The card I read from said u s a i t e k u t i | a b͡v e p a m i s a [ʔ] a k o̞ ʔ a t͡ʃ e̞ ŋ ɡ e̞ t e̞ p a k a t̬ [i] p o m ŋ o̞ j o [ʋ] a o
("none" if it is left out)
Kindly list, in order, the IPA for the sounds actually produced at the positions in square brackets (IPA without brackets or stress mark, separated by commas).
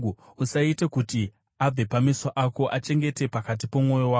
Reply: ʔ, i, w